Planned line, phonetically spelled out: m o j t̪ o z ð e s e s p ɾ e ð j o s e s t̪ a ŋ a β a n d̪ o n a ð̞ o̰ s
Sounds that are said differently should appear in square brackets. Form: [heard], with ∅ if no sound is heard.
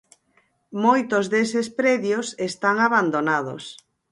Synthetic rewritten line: m o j t̪ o z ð e s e s p ɾ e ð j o s e s t̪ a ŋ a β a n d̪ o n a ð̞ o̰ s